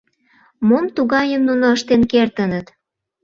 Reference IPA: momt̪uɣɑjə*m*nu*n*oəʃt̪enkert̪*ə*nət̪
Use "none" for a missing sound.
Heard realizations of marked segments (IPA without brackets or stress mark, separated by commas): m, n, ə